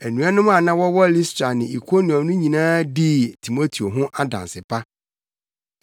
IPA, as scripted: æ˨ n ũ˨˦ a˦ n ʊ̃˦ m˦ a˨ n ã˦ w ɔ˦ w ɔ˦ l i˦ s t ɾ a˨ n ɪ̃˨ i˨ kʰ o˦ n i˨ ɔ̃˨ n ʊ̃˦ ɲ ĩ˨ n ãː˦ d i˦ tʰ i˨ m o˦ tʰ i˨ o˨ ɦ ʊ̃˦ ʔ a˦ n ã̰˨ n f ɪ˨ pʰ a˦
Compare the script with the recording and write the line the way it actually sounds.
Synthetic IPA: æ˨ n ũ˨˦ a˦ n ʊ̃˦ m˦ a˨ n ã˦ w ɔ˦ w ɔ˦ l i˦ s t ɾ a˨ n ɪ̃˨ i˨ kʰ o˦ n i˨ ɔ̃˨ n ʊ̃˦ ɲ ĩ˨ n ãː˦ d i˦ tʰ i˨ m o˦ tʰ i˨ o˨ ɦ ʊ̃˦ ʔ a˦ d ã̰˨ n s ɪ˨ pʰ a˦